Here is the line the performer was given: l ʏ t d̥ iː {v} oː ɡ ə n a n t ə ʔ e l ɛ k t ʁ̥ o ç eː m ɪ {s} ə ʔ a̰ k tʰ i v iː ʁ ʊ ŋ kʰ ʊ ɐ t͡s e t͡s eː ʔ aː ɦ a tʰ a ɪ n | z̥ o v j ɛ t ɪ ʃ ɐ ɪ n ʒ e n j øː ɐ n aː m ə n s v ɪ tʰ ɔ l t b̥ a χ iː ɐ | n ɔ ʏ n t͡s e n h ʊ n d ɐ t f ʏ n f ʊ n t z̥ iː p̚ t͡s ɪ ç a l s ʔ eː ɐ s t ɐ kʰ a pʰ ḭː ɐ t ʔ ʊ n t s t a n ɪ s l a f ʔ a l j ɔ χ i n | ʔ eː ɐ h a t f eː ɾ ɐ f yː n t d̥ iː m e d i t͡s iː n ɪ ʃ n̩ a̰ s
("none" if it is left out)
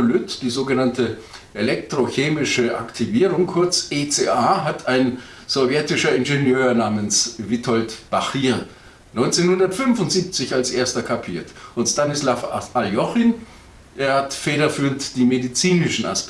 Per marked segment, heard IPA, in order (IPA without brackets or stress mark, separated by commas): z, ʃ